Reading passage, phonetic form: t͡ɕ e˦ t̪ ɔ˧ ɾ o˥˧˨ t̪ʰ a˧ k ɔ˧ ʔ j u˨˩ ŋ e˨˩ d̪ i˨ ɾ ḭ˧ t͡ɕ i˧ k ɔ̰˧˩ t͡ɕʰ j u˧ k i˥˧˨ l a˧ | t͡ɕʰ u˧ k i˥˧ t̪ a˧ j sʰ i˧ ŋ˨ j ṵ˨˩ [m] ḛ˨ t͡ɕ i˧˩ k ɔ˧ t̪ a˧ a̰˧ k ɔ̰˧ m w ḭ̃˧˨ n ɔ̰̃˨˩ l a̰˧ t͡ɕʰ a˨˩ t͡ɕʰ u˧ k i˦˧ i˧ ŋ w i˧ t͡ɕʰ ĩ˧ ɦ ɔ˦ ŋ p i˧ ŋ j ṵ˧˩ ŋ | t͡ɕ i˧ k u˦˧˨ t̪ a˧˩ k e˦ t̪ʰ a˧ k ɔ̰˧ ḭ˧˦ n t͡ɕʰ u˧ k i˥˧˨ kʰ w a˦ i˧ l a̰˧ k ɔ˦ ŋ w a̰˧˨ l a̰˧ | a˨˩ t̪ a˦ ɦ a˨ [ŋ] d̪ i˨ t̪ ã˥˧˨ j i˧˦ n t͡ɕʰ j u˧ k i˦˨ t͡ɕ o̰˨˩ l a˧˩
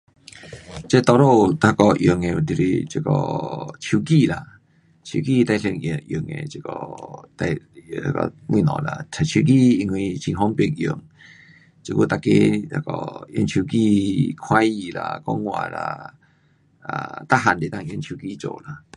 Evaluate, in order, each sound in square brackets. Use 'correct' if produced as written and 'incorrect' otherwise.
incorrect, incorrect

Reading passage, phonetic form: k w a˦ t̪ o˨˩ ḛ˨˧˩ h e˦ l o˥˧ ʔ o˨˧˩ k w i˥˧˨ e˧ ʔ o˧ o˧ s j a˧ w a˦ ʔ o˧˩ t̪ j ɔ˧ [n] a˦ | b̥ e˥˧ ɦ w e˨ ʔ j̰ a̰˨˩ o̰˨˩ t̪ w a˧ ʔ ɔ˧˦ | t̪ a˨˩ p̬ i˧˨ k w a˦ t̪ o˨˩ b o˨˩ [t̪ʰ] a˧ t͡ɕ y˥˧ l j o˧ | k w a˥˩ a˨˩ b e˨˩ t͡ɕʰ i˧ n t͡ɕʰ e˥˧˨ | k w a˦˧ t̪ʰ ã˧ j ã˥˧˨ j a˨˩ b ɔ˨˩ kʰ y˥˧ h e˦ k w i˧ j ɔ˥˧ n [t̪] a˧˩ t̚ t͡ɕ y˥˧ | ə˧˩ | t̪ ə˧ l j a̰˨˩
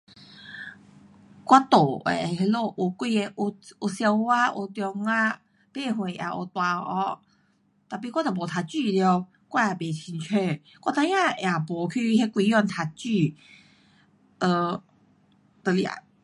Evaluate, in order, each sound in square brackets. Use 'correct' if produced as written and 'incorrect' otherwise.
incorrect, correct, incorrect

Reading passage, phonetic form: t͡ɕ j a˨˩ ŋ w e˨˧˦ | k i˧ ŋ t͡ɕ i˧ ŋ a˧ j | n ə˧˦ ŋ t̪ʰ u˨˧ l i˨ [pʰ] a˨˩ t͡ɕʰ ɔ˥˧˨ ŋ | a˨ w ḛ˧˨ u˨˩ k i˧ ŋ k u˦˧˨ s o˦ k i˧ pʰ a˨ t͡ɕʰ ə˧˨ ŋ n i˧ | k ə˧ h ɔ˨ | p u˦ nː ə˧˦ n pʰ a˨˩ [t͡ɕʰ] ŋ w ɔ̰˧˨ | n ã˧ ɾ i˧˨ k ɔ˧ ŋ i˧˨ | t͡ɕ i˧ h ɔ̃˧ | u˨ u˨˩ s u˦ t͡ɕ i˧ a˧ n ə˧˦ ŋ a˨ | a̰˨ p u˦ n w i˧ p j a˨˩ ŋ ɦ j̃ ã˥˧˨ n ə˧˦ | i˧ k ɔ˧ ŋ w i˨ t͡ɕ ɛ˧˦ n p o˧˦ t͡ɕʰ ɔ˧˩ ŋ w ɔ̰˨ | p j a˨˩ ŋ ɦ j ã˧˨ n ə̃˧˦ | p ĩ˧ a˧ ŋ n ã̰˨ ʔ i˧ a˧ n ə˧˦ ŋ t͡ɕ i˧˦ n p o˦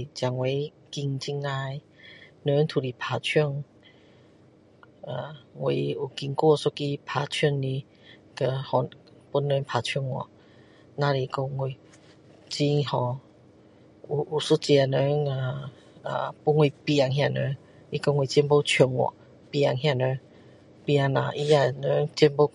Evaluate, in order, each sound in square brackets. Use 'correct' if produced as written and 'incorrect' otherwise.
correct, correct

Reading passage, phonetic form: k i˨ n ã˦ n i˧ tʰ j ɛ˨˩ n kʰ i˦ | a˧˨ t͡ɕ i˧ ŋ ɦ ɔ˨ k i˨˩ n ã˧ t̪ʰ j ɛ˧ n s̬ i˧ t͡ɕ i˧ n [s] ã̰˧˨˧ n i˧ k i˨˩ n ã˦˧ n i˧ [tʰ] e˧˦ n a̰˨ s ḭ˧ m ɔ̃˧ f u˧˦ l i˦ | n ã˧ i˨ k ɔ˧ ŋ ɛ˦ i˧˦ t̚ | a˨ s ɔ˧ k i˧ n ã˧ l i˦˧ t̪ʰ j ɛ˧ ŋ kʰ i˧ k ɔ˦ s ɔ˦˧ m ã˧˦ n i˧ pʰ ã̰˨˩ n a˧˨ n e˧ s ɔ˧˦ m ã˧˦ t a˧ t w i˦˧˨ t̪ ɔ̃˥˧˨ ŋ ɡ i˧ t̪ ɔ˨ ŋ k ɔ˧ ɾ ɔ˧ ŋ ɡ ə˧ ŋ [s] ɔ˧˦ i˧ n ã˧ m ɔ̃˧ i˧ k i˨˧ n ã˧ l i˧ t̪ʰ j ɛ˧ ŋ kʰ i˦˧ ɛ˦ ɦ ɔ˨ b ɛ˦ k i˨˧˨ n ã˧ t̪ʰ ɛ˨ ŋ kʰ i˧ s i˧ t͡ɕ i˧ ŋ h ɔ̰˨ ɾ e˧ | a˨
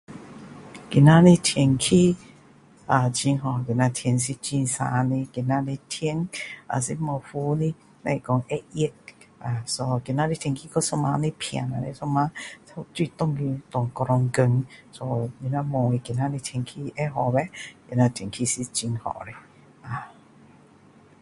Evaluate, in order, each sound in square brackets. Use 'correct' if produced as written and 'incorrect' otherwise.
correct, correct, correct

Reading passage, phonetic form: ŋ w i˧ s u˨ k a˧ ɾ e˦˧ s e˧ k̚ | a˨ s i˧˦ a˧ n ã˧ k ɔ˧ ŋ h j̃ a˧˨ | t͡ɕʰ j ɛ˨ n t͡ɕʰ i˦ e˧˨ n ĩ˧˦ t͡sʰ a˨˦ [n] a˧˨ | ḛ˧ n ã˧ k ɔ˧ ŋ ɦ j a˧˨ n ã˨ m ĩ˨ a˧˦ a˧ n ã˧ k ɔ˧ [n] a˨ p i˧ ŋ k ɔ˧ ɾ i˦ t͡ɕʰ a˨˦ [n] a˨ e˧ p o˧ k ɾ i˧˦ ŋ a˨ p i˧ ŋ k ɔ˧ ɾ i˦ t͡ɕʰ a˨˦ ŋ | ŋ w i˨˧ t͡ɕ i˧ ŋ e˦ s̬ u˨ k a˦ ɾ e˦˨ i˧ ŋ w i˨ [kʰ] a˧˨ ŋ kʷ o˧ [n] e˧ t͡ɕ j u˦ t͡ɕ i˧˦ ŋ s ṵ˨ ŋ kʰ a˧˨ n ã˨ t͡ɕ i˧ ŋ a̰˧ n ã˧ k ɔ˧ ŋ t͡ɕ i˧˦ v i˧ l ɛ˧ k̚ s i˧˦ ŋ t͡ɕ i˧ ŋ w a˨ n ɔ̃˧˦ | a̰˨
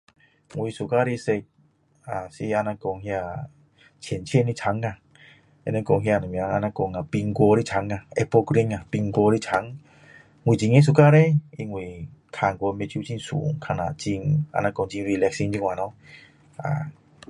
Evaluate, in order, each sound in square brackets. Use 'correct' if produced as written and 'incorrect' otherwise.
incorrect, incorrect, incorrect, correct, incorrect

